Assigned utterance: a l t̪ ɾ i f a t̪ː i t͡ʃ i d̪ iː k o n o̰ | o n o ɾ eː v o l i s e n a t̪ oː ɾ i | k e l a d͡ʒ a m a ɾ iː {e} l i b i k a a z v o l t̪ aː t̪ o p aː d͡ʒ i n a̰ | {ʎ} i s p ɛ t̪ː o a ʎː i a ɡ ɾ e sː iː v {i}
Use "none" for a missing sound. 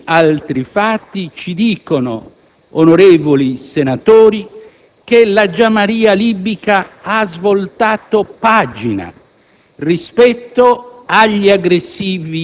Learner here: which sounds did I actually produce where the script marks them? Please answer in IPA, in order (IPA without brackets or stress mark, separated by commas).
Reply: a, r, i